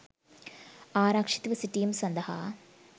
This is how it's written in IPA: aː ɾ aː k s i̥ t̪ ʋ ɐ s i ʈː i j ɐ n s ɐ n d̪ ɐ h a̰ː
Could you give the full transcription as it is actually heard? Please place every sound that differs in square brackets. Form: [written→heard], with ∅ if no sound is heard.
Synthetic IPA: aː ɾ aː k [s→ʂ] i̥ t̪ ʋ ɐ s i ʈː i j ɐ [n→m] s ɐ n d̪ ɐ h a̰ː